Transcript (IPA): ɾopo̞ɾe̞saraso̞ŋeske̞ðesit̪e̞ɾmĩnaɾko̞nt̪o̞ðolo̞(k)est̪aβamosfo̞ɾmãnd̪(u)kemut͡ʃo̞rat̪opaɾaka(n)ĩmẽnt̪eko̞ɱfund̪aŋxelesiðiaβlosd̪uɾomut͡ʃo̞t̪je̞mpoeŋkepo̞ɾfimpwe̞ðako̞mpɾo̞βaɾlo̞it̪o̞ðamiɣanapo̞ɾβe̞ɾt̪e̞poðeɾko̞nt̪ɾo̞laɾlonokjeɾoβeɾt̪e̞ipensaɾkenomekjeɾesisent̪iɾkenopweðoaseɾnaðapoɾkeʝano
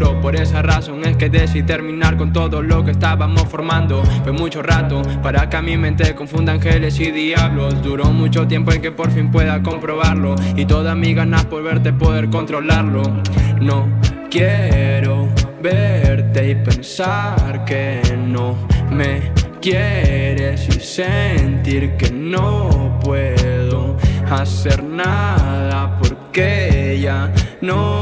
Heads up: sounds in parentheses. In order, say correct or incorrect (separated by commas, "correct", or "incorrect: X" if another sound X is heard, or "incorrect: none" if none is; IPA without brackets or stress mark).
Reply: correct, incorrect: o, incorrect: m